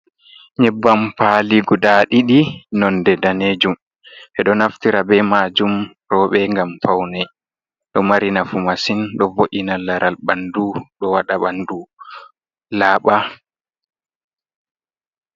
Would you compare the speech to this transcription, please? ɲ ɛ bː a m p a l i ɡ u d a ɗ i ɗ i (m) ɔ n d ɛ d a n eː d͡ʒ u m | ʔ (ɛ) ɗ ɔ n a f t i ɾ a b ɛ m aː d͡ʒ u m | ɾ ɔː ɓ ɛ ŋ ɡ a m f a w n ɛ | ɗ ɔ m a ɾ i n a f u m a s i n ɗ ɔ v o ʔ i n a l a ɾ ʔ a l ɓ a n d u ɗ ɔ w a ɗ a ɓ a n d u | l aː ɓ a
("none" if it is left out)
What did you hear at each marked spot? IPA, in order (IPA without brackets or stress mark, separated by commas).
n, ɛ